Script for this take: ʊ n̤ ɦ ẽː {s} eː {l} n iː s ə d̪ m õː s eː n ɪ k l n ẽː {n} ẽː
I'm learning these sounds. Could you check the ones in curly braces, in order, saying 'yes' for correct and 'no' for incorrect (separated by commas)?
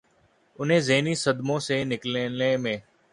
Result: no, no, no